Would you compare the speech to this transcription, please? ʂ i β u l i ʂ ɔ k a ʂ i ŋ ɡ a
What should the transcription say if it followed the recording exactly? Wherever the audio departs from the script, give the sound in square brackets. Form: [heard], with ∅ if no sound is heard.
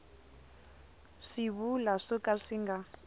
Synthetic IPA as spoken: ʂ i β u l [a] ʂ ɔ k a ʂ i ŋ ɡ a